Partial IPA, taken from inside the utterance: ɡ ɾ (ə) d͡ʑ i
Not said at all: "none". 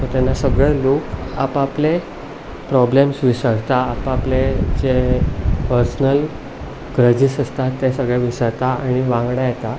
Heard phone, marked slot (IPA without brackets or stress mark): ə